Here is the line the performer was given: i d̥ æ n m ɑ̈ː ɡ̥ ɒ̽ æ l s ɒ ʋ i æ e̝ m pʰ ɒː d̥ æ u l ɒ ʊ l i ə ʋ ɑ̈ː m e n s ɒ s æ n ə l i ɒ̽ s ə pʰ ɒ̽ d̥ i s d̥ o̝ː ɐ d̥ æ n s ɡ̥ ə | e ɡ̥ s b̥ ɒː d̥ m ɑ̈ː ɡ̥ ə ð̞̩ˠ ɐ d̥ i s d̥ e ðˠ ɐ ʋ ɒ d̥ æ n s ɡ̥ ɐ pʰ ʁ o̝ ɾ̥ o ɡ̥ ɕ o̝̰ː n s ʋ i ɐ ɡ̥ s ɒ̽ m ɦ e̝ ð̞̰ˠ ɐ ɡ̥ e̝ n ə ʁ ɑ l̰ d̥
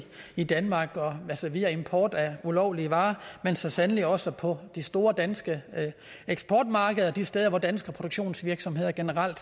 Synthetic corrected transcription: i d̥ æ n m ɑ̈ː ɡ̥ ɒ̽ æ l s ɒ ʋ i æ e̝ m pʰ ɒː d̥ æ u l ɒ ʊ l i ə ʋ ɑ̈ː m e n s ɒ s æ n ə l i ɒ̽ s ə pʰ ɒ̽ d̥ i s d̥ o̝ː ɐ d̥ æ n s ɡ̥ ə | e ɡ̥ s b̥ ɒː d̥ m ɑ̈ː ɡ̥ ə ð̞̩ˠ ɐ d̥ i s d̥ e ðˠ ɐ ʋ ɒ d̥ æ n s ɡ̥ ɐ pʰ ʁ o̝ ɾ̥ o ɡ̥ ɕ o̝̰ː n s ʋ i ɐ ɡ̥ s ɒ̽ m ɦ e̝ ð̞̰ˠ ɐ ɡ̥ e̝ n ə ʁ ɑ l̰ d̥